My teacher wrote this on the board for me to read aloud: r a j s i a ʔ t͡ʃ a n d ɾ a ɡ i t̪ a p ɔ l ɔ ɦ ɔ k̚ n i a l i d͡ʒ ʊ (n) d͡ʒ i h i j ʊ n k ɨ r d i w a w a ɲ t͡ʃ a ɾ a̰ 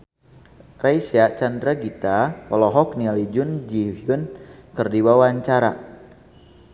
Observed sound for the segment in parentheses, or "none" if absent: n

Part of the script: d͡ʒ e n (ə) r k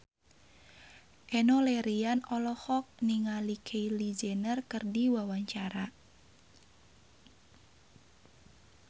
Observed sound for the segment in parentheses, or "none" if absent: ə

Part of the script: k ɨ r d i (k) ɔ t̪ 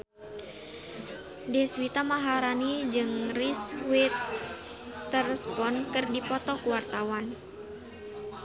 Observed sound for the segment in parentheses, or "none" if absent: p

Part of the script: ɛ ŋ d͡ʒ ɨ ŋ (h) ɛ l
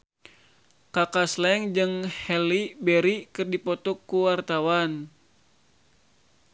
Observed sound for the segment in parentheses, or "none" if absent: h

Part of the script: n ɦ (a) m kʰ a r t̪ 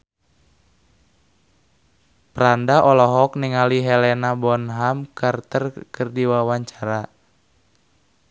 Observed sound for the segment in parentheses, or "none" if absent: a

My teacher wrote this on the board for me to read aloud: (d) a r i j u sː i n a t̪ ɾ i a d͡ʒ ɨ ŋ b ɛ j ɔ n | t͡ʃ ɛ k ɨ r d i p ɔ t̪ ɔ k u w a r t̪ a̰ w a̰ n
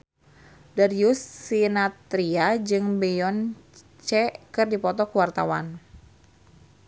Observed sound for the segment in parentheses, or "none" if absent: d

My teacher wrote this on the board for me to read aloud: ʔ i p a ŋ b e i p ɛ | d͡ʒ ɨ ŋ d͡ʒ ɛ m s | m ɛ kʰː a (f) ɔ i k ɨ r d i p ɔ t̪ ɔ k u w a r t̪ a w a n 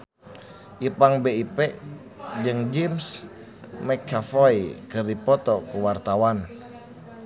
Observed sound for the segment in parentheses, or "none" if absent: f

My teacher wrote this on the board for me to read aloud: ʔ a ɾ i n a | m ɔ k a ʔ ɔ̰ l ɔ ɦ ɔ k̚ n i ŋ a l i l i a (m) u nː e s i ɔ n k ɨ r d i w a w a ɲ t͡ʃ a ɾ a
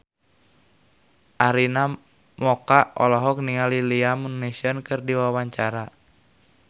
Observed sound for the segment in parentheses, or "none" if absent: m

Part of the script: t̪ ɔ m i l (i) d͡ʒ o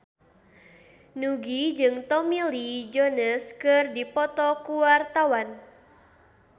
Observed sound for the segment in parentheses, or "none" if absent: i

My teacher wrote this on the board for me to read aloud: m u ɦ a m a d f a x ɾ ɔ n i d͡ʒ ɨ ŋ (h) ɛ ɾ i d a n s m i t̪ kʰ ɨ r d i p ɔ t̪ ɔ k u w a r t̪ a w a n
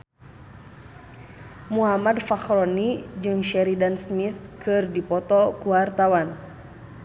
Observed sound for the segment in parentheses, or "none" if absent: ʃ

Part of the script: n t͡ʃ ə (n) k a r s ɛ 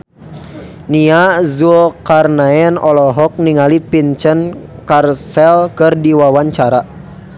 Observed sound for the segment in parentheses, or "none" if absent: n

